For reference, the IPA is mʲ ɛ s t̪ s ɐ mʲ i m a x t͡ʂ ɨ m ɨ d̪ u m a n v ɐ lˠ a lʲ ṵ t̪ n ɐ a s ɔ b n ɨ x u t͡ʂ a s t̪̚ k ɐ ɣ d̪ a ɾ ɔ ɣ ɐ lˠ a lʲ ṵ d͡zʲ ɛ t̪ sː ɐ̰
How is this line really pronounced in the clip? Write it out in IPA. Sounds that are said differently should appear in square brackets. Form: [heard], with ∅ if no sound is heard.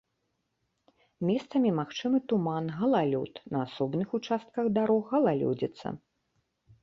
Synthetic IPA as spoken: mʲ ɛ s t̪ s ɐ mʲ i m a x t͡ʂ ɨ m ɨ [t̪] u m a n [ɣ] ɐ lˠ a lʲ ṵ t̪ n ɐ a s ɔ b n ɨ x u t͡ʂ a s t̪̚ k ɐ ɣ d̪ a ɾ ɔ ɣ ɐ lˠ a lʲ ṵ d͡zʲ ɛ t̪ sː ɐ̰